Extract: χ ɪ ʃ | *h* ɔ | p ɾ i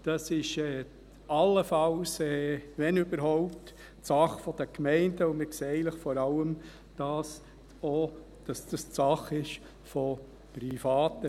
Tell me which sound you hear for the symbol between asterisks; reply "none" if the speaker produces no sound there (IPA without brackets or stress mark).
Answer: f